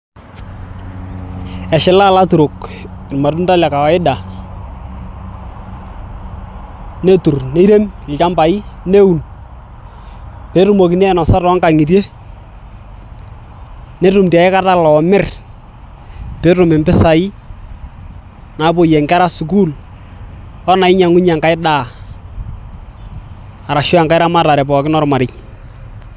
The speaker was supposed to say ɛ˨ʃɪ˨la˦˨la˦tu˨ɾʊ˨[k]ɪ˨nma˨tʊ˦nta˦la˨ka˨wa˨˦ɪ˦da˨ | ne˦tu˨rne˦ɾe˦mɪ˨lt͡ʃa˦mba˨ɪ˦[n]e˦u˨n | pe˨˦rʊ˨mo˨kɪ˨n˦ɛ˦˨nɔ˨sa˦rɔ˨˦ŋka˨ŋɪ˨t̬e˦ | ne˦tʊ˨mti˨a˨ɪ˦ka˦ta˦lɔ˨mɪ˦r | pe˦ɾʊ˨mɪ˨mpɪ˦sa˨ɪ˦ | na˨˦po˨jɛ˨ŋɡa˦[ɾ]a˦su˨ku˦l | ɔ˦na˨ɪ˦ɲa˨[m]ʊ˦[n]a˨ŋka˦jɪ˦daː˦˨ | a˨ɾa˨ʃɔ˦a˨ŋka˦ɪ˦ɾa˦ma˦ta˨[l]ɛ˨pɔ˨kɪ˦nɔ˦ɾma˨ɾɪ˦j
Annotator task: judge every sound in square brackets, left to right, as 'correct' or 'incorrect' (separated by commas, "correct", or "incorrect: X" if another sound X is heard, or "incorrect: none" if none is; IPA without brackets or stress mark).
correct, correct, correct, incorrect: ŋ, incorrect: ɲ, incorrect: ɾ